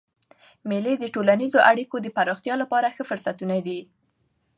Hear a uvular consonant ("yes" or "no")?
no